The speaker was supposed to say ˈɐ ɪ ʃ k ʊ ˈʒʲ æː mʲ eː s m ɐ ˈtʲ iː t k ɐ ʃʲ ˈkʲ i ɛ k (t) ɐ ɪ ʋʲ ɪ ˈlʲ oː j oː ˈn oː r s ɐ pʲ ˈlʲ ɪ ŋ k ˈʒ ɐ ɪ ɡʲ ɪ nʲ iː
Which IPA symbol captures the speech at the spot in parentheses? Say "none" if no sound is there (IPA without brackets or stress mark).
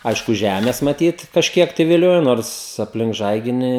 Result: t